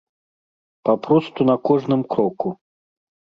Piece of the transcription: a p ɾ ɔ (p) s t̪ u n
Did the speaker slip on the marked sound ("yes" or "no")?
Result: yes